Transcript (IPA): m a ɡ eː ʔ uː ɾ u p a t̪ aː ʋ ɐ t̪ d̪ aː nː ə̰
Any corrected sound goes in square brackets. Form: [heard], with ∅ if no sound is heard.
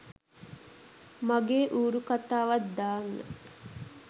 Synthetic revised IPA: m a ɡ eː ʔ uː ɾ u [k] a t̪ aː ʋ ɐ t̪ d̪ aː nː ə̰